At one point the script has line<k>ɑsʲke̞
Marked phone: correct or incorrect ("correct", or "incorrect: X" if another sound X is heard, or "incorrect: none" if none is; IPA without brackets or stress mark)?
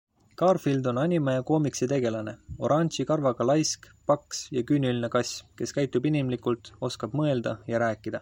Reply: correct